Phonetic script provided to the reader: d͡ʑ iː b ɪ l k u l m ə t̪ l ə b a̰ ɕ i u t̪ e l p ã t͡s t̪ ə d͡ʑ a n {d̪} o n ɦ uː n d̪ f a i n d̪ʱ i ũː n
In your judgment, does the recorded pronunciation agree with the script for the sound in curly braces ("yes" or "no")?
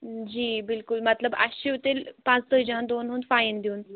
yes